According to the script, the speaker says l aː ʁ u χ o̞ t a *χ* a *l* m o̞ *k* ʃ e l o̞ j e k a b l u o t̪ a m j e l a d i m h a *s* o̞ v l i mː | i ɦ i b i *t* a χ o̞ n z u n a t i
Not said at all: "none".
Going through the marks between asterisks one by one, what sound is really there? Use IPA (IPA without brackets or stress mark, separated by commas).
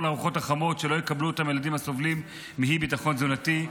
χ, none, t, s, t